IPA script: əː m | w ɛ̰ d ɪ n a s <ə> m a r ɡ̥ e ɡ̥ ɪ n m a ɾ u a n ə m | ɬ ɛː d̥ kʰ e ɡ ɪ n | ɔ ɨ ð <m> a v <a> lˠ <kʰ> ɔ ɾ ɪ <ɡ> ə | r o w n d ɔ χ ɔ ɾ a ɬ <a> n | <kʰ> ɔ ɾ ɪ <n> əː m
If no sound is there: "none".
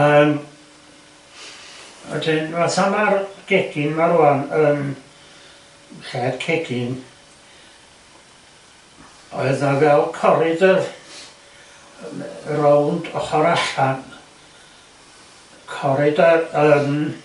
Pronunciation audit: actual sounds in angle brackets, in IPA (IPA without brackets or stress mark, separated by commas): a, n, ɛ, kʰ, d, a, kʰ, d